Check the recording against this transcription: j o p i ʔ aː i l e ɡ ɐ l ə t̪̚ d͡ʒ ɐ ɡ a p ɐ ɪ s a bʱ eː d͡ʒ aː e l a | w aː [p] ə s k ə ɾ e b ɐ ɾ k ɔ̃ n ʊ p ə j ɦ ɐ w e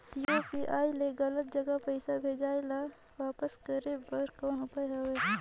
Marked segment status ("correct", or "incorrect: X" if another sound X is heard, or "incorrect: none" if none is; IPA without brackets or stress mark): correct